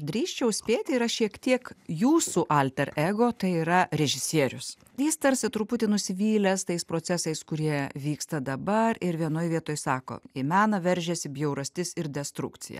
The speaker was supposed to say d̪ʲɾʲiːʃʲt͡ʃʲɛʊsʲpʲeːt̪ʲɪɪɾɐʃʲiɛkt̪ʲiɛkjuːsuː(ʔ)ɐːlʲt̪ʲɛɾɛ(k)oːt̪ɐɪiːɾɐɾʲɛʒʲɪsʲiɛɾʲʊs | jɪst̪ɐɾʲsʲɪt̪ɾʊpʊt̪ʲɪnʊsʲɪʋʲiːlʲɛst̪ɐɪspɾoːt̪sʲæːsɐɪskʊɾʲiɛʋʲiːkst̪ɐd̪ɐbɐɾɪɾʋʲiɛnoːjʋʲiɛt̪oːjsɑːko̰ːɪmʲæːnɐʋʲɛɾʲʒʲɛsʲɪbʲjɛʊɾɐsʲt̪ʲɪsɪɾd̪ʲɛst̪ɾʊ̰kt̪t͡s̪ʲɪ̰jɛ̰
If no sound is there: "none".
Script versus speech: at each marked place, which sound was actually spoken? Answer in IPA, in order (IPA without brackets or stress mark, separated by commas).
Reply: ʔ, ɡ